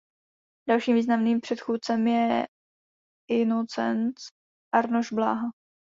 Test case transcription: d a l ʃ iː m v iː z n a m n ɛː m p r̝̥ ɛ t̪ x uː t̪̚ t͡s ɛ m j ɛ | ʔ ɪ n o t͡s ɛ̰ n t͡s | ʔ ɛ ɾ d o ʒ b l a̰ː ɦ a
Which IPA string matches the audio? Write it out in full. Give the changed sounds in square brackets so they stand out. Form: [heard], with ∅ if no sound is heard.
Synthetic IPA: d a l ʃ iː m v iː z n a m n [iː] m p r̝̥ ɛ t̪ x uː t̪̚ t͡s ɛ m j ɛ | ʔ ɪ n o t͡s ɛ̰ n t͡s | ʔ [a] ɾ [n] o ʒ b l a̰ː ɦ a